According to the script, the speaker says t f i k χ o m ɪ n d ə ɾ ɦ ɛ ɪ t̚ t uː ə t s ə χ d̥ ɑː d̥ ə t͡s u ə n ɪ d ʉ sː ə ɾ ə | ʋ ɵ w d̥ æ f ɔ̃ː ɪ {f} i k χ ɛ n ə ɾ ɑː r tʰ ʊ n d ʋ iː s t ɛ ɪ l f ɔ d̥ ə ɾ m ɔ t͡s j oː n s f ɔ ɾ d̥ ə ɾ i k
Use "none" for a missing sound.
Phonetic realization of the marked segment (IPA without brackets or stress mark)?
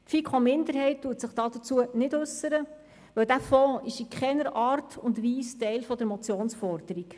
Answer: ʃ